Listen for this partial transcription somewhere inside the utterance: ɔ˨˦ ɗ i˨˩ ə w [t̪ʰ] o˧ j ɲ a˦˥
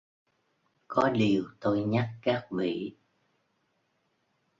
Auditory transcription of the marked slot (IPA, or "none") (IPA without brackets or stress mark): t̪